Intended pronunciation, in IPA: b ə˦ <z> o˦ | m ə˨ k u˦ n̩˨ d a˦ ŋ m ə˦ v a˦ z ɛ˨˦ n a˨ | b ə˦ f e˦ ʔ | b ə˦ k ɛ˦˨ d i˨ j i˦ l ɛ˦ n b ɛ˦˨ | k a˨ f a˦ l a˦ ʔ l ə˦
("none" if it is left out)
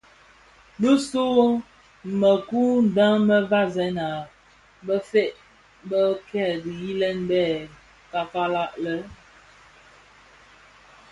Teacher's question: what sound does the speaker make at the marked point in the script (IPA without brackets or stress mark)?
s